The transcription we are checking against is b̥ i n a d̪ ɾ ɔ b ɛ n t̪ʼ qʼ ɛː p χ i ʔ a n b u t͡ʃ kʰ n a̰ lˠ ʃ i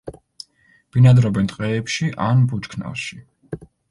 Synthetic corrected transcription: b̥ i n a d̪ ɾ ɔ b ɛ n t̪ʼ qʼ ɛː p ʃ i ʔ a n b u t͡ʃ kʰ n a̰ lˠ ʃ i